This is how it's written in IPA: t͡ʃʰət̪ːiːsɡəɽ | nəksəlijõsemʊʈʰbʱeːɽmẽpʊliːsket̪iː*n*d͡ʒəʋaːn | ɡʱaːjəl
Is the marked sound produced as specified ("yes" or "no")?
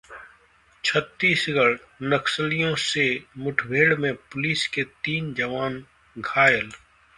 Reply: yes